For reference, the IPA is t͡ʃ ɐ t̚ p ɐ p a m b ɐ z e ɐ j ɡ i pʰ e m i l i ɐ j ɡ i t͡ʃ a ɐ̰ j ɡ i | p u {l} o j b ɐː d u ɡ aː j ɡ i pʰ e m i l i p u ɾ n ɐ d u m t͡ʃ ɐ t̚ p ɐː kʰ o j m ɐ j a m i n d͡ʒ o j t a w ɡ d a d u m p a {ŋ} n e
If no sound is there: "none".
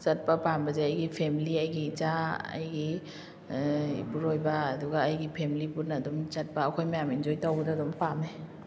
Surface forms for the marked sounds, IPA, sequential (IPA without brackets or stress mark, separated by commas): ɾ, m